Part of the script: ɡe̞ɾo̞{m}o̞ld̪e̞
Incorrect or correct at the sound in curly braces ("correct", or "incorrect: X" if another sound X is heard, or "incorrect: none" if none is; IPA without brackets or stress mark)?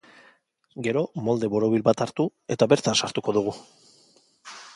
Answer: correct